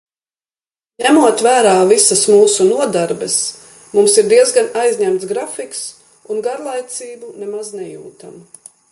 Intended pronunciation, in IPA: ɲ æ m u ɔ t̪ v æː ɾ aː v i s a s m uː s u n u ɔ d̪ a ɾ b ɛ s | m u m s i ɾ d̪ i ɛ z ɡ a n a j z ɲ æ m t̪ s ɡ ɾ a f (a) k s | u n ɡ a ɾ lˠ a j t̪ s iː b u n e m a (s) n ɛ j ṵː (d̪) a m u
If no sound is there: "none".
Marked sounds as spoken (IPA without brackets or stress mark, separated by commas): i, z, t̪